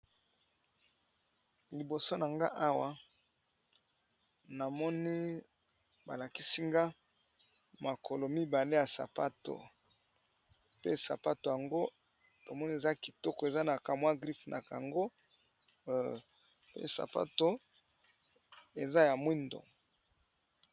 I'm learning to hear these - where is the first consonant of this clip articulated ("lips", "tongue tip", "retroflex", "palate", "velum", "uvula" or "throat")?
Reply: tongue tip